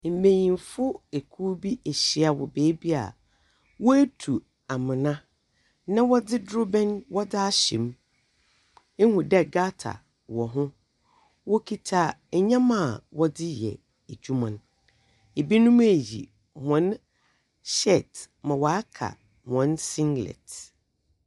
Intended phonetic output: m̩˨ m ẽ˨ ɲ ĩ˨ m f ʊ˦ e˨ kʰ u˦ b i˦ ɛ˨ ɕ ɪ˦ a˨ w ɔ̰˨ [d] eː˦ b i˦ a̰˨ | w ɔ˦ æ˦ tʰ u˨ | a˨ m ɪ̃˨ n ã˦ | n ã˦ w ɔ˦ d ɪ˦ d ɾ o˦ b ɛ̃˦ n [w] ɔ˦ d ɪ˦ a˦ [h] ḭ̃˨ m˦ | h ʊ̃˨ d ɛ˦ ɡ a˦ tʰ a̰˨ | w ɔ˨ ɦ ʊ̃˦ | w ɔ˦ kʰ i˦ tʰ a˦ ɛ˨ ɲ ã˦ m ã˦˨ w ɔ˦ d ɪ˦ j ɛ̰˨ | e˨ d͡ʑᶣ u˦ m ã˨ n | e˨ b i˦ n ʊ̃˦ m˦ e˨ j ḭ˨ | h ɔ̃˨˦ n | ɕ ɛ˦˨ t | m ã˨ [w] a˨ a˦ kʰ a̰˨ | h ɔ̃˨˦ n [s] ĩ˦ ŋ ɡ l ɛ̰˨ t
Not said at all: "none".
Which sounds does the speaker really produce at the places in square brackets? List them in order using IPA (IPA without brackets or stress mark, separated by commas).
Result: b, w, ɕ, w, s